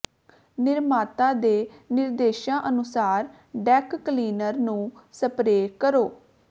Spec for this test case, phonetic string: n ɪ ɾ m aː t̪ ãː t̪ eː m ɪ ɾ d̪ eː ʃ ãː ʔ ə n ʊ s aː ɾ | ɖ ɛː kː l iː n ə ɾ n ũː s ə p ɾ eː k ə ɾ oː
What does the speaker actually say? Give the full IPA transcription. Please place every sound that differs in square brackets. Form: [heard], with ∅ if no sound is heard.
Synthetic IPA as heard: n ɪ ɾ m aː t̪ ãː [d̪] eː [n] ɪ ɾ d̪ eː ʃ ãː ʔ ə n ʊ s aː ɾ | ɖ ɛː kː l iː n ə ɾ n ũː s ə p ɾ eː k ə ɾ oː